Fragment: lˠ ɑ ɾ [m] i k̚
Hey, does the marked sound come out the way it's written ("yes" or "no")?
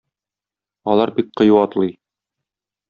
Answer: no